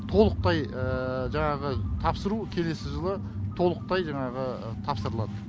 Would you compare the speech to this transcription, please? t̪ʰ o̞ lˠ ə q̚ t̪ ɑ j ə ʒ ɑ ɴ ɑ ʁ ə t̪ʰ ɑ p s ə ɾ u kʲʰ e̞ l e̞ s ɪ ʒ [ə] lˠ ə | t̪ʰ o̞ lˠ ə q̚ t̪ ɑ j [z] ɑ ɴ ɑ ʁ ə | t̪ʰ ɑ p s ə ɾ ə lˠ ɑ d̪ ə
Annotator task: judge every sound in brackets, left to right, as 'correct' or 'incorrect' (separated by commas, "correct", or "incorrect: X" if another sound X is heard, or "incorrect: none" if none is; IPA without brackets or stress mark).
correct, incorrect: ʒ